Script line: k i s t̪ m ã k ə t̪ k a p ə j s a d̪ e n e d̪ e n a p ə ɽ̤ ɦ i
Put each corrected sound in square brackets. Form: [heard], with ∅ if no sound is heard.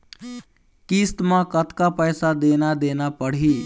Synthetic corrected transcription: k i s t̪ m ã k ə t̪ k a p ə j s a d̪ e n [a] d̪ e n a p ə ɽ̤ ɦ i